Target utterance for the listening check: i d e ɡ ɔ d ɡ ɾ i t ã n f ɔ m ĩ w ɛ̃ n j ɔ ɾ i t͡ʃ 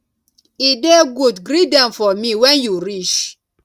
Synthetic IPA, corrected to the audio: i d e ɡ u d ɡ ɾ i d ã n f ɔ m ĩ w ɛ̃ n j u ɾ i t͡ʃ